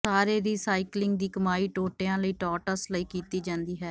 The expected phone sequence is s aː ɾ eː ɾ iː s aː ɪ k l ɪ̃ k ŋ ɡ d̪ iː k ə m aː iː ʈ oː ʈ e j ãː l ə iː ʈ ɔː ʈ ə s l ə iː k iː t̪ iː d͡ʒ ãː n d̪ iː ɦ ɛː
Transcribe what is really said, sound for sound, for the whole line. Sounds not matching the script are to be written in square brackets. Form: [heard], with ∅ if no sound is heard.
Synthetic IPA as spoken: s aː ɾ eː ɾ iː s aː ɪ k l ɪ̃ [∅] ŋ ɡ d̪ iː k ə m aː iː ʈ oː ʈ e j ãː l ə iː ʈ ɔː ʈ ə s l ə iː k iː t̪ iː d͡ʒ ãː n d̪ iː ɦ ɛː